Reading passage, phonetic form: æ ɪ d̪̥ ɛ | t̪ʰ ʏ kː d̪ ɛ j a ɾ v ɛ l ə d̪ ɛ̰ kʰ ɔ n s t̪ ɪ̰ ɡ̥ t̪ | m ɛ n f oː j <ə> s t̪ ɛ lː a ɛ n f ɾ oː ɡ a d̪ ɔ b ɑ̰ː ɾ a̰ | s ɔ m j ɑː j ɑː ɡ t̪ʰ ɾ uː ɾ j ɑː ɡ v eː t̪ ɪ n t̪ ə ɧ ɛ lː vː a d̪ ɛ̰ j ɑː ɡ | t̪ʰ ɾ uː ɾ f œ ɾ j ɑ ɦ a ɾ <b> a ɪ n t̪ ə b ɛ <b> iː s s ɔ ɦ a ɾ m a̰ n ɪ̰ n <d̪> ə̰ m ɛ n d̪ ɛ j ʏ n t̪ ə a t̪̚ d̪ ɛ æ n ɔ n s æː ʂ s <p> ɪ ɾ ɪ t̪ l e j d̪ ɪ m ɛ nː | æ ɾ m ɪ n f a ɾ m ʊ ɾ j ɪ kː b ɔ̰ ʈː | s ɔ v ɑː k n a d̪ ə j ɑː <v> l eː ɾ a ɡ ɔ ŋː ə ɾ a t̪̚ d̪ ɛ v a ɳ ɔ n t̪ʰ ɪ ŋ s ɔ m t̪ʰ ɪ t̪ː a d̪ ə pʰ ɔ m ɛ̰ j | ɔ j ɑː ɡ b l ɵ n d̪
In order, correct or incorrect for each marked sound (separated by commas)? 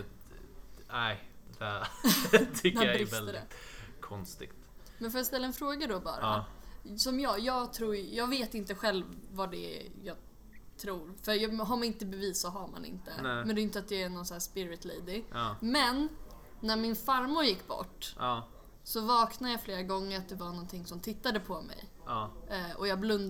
incorrect, incorrect, incorrect, incorrect, correct, incorrect